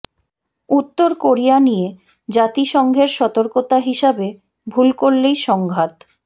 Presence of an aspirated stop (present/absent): absent